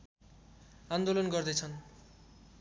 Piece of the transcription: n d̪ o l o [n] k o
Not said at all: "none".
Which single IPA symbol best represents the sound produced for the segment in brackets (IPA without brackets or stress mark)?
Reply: n